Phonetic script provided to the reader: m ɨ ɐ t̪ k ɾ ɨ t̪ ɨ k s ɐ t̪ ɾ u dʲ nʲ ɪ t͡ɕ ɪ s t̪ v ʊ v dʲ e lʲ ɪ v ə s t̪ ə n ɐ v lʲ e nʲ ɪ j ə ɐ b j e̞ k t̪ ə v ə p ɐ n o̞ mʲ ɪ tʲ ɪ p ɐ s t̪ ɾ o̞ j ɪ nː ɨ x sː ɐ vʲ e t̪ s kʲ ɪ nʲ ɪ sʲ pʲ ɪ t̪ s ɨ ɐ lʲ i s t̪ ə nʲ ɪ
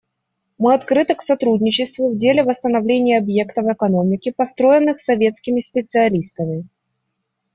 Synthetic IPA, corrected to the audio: m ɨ ɐ t̪ k ɾ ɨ t̪ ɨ k s ɐ t̪ ɾ u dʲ nʲ ɪ t͡ɕ ɪ s t̪ v ʊ v dʲ e lʲ ɪ v ə s t̪ ə n ɐ v lʲ e nʲ ɪ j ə ɐ b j e̞ k t̪ ə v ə k ɐ n o̞ mʲ ɪ kʲ ɪ p ɐ s t̪ ɾ o̞ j ɪ nː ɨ x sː ɐ vʲ e t̪ s kʲ ɪ mʲ ɪ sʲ pʲ ɪ t̪ s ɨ ɐ lʲ i s t̪ ə mʲ ɪ